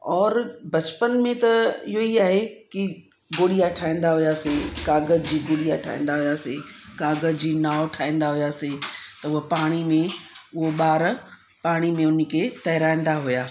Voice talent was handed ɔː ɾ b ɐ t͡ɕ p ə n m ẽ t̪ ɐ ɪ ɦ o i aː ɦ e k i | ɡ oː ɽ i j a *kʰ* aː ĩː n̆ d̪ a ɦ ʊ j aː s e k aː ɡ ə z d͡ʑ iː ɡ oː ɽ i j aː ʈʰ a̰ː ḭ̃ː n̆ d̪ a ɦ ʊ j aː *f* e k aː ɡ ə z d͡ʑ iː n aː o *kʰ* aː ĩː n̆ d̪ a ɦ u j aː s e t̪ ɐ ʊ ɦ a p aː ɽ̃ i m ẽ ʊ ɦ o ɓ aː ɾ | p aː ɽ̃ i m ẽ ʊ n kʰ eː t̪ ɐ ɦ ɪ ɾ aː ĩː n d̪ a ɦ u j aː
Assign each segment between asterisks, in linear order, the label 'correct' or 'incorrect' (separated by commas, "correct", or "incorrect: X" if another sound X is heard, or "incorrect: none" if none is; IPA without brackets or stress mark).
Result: incorrect: ʈʰ, incorrect: s, incorrect: ʈʰ